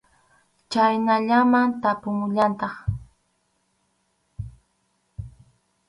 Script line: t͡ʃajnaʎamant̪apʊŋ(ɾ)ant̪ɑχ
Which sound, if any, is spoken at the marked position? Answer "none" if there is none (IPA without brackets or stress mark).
ʎ